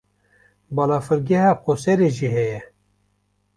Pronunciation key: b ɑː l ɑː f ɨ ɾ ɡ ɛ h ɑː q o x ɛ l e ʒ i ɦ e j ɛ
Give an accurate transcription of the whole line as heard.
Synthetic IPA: b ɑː l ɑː f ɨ ɾ ɡ ɛ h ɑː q o s ɛ ɾ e ʒ i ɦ ɛ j ɛ